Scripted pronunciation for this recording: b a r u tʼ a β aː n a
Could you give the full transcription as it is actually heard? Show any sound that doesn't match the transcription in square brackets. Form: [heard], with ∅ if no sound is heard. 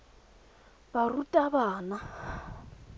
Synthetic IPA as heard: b a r u tʼ a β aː n a